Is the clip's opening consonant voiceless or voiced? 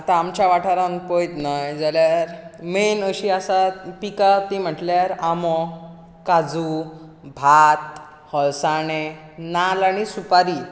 voiceless